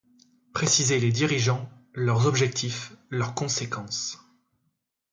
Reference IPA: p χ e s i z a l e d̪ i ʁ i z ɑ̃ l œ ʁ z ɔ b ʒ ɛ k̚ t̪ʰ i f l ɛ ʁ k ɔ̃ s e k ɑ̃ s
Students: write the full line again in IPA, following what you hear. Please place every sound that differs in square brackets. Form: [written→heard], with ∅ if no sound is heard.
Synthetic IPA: p χ e s i z [a→e] l e d̪ i ʁ i [z→ʒ] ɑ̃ l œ ʁ z ɔ b ʒ ɛ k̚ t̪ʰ i f l [ɛ→œ] ʁ k ɔ̃ s e k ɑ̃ s

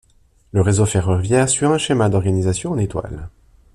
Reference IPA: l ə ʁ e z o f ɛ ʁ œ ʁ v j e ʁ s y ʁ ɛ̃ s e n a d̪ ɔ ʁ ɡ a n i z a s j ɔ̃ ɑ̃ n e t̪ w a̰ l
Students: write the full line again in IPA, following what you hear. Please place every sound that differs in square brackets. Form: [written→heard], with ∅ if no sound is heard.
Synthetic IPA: l ə ʁ e z o f ɛ ʁ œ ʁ v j [e→ɛ] ʁ s y ʁ ɛ̃ [s→ʃ] e [n→m] a d̪ ɔ ʁ ɡ a n i z a s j ɔ̃ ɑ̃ n e t̪ w a̰ l

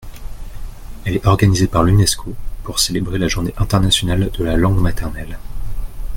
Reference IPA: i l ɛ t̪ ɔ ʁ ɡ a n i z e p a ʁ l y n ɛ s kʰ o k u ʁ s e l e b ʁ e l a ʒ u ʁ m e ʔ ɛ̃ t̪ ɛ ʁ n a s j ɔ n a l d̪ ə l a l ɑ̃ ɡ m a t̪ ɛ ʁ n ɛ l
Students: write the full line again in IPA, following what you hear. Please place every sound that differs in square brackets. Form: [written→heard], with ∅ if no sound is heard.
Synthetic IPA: [i→ɛ] l ɛ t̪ ɔ ʁ ɡ a n i z e p a ʁ l y n ɛ s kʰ o [k→p] u ʁ s e l e b ʁ e l a ʒ u ʁ [m→n] e ʔ ɛ̃ t̪ ɛ ʁ n a s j ɔ n a l d̪ ə l a l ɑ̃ ɡ m a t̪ ɛ ʁ n ɛ l

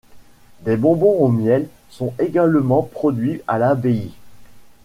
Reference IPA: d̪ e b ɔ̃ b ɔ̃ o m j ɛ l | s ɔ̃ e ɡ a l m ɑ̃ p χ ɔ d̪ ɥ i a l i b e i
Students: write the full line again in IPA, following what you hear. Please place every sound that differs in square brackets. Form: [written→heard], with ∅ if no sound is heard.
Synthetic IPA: d̪ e b ɔ̃ b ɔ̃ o m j ɛ l | s ɔ̃ e ɡ a l m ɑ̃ p χ ɔ d̪ ɥ i a l [i→a] b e i

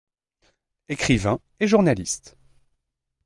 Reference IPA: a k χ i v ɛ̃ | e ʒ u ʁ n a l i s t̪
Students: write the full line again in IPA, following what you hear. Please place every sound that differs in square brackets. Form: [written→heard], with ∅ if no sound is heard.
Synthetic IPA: [a→e] k χ i v ɛ̃ | e ʒ u ʁ n a l i s t̪

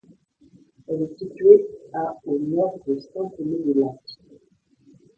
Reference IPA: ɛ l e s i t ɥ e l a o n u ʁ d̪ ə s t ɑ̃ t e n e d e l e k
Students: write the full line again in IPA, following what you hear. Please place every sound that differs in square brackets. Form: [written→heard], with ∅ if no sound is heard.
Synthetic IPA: ɛ l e s i t ɥ e [l→∅] a o n [u→ɔ] ʁ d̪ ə s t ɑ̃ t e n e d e l [e→a] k

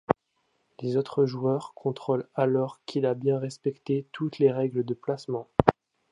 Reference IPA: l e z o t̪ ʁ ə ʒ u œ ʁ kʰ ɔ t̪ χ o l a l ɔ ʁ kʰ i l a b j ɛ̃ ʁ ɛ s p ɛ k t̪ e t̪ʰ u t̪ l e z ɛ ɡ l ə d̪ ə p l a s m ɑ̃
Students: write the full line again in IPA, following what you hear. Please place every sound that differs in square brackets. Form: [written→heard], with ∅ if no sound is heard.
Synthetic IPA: l e z o t̪ [ʁ→χ] ə ʒ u œ ʁ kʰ [ɔ→ɔ̃] t̪ χ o l a l ɔ ʁ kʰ i l a b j ɛ̃ ʁ ɛ s p ɛ k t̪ e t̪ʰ u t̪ l e [z→ʁ] ɛ ɡ l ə d̪ ə p l a s m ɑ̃

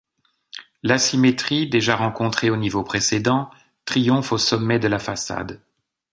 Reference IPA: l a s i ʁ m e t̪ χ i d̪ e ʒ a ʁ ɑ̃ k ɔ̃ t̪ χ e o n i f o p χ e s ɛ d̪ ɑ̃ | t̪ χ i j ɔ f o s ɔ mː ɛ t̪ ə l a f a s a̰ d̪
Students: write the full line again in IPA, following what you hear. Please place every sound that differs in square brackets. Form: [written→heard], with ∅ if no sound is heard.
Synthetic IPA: l a s i [ʁ→∅] m e t̪ χ i d̪ e ʒ a ʁ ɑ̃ k ɔ̃ t̪ χ e o n i [f→v] o p χ e s [ɛ→e] d̪ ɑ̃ | t̪ χ i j [ɔ→ɔ̃] f o s ɔ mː ɛ [t̪→d̪] ə l a f a s a̰ d̪

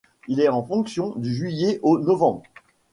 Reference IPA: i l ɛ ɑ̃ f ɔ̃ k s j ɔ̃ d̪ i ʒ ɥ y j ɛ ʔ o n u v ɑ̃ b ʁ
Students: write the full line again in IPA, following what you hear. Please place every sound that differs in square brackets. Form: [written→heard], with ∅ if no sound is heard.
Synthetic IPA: i l ɛ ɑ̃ f ɔ̃ k s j ɔ̃ d̪ [i→y] ʒ ɥ [y→i] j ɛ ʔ o n [u→ɔ] v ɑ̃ b ʁ

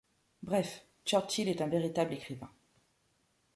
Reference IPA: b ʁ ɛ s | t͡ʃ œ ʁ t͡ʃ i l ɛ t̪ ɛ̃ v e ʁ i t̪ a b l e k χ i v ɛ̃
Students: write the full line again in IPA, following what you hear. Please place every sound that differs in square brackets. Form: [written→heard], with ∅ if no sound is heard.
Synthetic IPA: b ʁ ɛ [s→f] | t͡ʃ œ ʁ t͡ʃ i l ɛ t̪ ɛ̃ v e ʁ i t̪ a b l e k χ i v ɛ̃

